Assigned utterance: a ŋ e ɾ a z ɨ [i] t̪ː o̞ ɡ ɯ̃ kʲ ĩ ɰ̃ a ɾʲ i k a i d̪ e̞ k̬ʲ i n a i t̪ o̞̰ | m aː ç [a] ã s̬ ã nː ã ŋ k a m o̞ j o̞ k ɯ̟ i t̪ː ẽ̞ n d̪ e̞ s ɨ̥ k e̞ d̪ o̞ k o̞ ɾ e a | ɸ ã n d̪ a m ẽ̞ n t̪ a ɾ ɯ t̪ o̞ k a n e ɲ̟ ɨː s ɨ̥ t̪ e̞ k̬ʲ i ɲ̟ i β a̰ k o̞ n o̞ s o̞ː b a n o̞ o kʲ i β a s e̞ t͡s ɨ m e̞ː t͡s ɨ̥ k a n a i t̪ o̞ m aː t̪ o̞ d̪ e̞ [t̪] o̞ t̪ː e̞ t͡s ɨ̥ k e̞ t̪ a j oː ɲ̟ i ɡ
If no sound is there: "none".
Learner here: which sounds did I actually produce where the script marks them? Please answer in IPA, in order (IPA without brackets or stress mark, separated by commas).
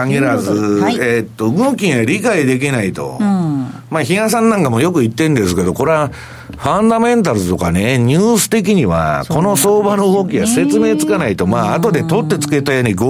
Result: e, i, t̪